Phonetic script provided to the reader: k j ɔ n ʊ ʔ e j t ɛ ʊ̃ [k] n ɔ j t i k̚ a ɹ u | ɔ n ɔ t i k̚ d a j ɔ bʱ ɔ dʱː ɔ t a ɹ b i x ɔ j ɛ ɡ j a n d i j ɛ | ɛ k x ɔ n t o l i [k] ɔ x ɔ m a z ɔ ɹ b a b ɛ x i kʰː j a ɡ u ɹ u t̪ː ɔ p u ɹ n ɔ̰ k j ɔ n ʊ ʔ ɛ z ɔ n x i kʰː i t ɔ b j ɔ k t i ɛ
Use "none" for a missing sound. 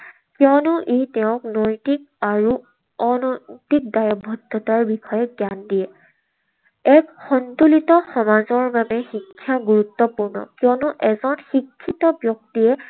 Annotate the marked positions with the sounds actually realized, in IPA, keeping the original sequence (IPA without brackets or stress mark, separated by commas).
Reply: k, t